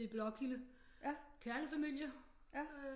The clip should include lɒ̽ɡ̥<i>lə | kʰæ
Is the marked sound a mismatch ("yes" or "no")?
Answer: no